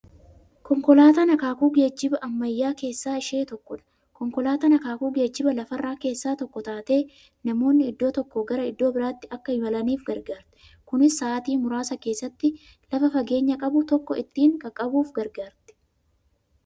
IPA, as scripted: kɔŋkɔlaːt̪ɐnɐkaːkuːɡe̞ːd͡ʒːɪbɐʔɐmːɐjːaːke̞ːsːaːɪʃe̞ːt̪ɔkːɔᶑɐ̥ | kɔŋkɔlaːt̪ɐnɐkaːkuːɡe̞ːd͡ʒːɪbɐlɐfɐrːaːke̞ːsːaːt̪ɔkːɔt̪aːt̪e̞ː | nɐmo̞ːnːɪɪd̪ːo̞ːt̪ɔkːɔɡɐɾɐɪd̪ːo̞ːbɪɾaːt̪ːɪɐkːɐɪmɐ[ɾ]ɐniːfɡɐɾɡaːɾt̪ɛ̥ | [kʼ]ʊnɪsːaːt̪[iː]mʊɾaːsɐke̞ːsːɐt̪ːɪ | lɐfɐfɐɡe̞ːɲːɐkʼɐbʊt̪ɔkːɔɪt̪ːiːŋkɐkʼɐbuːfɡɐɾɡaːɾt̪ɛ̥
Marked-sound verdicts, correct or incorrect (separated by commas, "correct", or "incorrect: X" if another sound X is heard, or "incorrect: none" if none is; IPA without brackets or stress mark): incorrect: l, incorrect: k, correct